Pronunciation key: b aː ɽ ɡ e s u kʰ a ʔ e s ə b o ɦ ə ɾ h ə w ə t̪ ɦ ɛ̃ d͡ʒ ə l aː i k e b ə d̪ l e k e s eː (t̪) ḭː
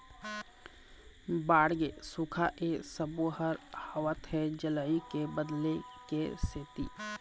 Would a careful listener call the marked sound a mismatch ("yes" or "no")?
no